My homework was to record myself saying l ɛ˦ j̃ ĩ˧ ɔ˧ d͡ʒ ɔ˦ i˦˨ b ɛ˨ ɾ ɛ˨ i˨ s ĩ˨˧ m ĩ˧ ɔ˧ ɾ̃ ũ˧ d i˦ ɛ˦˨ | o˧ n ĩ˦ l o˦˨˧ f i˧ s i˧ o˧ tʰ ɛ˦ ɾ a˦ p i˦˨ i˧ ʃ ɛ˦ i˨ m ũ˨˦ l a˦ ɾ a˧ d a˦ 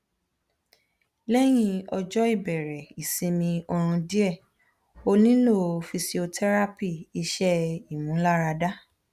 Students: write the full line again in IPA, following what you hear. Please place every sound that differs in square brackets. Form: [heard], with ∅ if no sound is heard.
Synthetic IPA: l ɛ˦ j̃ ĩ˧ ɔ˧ d͡ʒ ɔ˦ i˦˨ b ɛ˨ ɾ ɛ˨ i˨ s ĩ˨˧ m ĩ˧ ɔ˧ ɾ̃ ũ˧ d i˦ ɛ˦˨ | o˧ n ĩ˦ l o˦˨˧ f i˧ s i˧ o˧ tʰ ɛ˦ ɾ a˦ p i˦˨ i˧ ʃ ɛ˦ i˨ m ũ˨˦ l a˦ ɾ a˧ d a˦